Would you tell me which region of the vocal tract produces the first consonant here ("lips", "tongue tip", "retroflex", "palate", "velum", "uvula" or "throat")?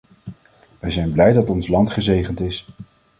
lips